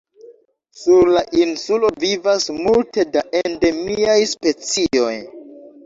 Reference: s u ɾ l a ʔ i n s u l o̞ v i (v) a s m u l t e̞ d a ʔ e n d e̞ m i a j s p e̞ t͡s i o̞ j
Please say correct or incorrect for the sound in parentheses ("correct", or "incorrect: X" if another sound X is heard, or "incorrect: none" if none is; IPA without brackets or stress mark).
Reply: correct